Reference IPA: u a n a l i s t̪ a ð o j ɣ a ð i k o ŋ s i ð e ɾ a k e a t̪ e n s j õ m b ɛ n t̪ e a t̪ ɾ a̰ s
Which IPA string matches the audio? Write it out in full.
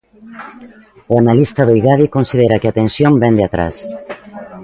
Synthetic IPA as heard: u a n a l i s t̪ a ð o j ɣ a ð i k o n s i ð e ɾ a k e a t̪ e n s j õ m b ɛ n d̪ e a t̪ ɾ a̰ s